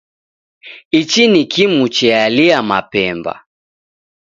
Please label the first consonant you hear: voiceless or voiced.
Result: voiceless